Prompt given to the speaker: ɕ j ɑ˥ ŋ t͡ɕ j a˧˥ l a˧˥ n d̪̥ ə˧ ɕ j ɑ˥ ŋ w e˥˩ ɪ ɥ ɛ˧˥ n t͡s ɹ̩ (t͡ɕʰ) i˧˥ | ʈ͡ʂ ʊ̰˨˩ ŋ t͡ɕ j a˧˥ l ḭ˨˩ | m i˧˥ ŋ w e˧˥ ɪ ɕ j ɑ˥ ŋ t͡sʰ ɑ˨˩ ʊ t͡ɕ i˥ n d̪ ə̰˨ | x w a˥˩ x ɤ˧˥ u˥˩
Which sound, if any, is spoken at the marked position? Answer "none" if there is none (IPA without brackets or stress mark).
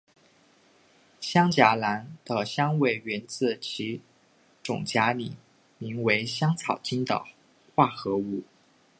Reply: t͡ɕʰ